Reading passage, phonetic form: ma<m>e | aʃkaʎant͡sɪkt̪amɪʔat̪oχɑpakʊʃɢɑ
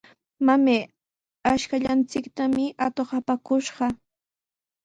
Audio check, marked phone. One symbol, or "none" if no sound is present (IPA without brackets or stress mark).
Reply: m